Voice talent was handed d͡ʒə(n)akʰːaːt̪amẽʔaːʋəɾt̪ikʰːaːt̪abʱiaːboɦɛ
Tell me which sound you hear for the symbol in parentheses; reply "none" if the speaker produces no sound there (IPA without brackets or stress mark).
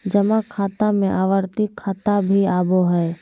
m